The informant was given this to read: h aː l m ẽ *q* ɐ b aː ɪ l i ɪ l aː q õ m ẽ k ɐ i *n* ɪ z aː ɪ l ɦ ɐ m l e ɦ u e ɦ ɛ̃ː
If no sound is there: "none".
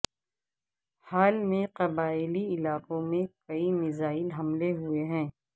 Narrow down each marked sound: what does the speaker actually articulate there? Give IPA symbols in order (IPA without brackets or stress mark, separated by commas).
q, m